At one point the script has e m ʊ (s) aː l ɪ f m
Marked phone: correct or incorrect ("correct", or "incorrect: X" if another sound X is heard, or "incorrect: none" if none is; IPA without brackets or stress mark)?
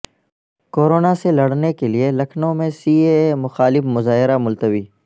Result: incorrect: x